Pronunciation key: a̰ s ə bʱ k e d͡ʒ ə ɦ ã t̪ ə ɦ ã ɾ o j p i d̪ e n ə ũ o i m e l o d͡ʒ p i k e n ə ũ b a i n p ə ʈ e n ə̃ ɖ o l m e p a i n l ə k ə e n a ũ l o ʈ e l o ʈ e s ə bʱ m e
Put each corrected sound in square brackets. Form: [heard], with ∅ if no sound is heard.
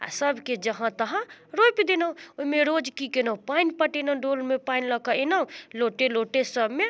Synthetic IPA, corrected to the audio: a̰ s ə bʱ k e d͡ʒ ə ɦ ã t̪ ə ɦ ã ɾ o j p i d̪ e n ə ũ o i m e [ɾ] o d͡ʒ [k] i k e n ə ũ [p] a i n p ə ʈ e n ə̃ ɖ o l m e p a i n l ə k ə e n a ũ l o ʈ e l o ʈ e s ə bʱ m e